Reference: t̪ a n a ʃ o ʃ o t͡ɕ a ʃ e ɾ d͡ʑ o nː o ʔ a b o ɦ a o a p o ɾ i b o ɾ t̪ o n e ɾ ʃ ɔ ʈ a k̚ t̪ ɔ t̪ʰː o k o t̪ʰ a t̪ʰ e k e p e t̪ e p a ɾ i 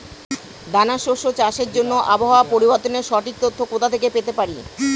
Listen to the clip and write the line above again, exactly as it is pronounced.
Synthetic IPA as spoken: d̪ a n a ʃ o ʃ o t͡ɕ a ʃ e ɾ d͡ʑ o nː o ʔ a b o ɦ a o a p o ɾ i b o ɾ t̪ o n e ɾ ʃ ɔ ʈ i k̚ t̪ o t̪ʰː o k o t̪ʰ a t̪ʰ e k e p e t̪ e p a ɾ i